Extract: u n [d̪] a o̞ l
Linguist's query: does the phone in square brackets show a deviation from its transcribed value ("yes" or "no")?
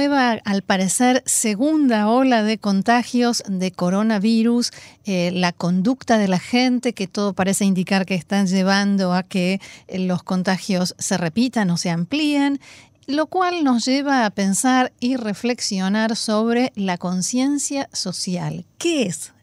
no